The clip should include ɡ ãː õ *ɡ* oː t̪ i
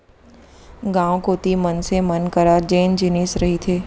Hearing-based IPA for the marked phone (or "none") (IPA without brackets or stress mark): k